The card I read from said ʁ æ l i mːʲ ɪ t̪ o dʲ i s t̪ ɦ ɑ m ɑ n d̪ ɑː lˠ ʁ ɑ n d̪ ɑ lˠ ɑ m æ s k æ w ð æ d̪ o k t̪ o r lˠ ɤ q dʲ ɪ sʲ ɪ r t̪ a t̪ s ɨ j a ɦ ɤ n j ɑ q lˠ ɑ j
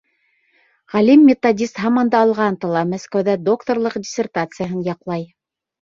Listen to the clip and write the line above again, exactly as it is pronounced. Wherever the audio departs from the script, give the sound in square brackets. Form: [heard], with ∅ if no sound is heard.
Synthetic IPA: ʁ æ l i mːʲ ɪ t̪ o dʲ i s t̪ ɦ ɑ m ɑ n d̪ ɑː lˠ ʁ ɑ n [t̪] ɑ lˠ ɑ m æ s k æ w ð æ d̪ o k t̪ o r lˠ ɤ q dʲ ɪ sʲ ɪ r t̪ a t̪ s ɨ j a ɦ ɤ n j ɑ q lˠ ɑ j